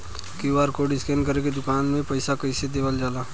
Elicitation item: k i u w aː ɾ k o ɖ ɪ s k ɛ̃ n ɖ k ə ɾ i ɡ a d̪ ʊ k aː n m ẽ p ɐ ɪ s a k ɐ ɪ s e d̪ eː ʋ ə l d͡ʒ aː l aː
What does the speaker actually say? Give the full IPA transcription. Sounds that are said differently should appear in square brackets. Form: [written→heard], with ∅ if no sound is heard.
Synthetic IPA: k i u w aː ɾ k o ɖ ɪ s k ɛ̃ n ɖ k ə ɾ [i→e] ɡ [a→e] d̪ ʊ k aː n m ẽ p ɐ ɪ s a k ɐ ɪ s e d̪ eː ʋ ə l d͡ʒ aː l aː